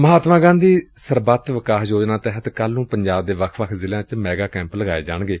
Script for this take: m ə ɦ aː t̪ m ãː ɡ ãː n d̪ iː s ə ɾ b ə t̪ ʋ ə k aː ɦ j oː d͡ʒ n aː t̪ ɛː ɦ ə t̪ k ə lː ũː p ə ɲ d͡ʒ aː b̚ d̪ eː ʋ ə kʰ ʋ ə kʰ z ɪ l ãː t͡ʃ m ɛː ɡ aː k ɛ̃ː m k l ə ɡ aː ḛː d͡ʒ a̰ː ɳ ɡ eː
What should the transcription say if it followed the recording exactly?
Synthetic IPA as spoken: m ə ɦ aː t̪ m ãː ɡ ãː n d̪ iː s ə ɾ b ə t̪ ʋ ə k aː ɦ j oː d͡ʒ n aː t̪ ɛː ɦ ə t̪ k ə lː ũː p ə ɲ d͡ʒ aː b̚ d̪ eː ʋ ə kʰ ʋ ə kʰ z ɪ l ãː t͡ʃ m ɛː ɡ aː k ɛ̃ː m p l ə ɡ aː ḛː d͡ʒ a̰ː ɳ ɡ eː